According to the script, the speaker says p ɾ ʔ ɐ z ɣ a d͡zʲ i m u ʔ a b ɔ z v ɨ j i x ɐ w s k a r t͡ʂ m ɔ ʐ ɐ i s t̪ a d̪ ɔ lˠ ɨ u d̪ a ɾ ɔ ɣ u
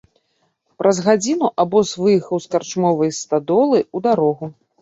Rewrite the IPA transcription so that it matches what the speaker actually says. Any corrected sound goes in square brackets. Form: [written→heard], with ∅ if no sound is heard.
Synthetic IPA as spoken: p ɾ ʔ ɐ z ɣ a d͡zʲ i [m→n] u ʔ a b ɔ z v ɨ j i x ɐ w s k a r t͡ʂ m ɔ [ʐ→v] ɐ [i→j] s t̪ a d̪ ɔ lˠ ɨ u d̪ a ɾ ɔ ɣ u